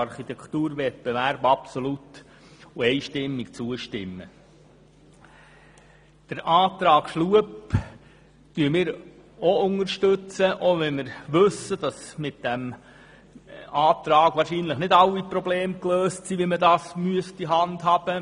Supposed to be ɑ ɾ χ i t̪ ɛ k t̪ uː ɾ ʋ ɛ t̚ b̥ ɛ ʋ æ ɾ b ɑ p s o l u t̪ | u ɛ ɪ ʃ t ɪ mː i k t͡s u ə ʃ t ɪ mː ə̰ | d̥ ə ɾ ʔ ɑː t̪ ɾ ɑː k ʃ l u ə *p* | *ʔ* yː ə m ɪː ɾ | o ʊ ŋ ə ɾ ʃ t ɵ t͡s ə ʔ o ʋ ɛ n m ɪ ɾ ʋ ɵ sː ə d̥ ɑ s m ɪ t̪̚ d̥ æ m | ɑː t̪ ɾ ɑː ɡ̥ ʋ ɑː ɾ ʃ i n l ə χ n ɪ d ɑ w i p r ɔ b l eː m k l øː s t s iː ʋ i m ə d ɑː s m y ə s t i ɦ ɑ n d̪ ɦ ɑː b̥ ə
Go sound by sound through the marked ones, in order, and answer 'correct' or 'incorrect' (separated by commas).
correct, incorrect